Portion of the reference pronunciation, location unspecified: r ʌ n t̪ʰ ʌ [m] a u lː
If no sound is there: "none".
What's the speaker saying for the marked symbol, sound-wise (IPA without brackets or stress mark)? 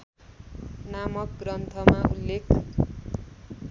m